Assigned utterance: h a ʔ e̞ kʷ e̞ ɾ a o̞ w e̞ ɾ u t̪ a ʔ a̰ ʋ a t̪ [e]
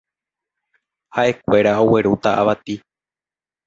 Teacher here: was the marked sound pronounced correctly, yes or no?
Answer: no